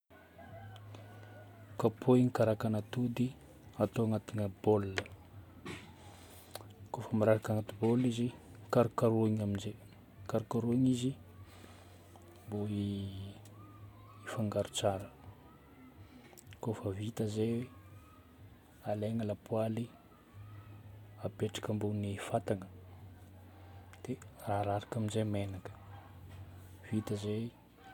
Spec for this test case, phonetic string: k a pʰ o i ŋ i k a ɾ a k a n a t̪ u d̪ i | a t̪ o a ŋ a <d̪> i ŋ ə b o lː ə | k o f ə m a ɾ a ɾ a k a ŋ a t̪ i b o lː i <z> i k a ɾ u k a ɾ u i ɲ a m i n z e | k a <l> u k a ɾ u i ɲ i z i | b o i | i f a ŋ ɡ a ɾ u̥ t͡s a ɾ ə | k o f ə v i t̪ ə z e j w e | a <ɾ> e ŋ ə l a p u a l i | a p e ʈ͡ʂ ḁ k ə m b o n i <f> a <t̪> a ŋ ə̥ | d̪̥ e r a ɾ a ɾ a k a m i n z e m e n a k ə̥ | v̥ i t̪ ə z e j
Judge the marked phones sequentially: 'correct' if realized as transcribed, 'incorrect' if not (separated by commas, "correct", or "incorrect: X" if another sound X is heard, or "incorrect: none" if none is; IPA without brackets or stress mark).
incorrect: t̪, correct, incorrect: ɾ, incorrect: l, correct, correct